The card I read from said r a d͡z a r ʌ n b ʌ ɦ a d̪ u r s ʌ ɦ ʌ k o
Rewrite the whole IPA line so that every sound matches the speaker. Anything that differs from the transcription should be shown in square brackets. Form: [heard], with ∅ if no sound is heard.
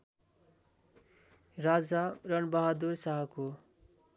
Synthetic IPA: r a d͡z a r ʌ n b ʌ ɦ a d̪ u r s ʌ ɦ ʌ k o